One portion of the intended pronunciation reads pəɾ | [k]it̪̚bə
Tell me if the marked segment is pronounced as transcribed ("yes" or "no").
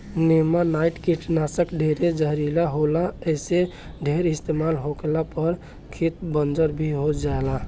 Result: no